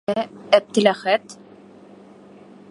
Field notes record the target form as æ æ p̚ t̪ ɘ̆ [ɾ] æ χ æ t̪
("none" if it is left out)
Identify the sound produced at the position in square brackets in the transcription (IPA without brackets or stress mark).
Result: l